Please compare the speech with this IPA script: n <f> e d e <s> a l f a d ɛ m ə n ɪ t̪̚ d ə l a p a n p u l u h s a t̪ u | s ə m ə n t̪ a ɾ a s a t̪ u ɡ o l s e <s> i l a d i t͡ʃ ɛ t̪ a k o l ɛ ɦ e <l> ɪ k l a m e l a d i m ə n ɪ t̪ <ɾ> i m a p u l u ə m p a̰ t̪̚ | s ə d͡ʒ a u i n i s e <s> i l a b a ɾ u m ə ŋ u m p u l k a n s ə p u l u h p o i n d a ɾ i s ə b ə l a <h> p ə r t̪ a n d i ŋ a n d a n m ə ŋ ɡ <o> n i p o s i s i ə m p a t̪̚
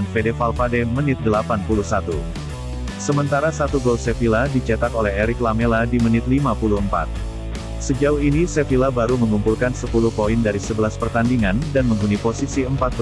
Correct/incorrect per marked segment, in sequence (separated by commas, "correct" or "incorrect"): correct, incorrect, incorrect, incorrect, incorrect, incorrect, incorrect, incorrect